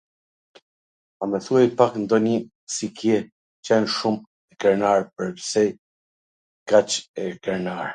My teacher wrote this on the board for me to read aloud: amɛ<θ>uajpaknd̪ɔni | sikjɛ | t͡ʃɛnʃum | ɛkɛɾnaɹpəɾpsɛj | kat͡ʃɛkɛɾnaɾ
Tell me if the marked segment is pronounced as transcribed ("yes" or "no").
yes